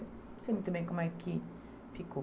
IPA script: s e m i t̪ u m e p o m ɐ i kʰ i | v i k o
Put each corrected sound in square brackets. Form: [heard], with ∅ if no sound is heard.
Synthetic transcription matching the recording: s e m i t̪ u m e [k] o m [a] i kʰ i | [f] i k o